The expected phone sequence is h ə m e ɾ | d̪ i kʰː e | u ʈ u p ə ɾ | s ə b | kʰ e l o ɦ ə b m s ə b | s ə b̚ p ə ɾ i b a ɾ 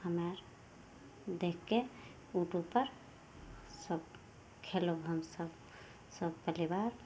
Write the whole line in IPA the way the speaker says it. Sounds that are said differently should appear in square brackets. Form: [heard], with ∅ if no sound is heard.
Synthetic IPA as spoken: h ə m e ɾ | d̪ [e] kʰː e | u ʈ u p ə ɾ | s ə b | kʰ e l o ɦ ə [∅] m s ə b | s ə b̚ p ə [l] i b a ɾ